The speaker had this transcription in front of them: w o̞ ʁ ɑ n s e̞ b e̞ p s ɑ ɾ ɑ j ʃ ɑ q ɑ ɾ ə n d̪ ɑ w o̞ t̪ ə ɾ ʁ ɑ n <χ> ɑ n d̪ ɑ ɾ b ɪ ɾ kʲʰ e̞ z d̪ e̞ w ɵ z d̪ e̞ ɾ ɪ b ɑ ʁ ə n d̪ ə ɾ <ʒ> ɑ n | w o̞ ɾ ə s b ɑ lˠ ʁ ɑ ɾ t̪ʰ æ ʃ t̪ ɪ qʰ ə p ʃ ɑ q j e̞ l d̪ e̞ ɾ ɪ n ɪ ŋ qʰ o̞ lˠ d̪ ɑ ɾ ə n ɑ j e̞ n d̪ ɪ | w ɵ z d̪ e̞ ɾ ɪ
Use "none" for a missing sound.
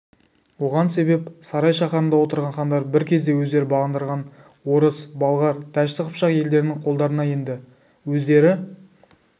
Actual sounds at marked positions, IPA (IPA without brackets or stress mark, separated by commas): χ, ʁ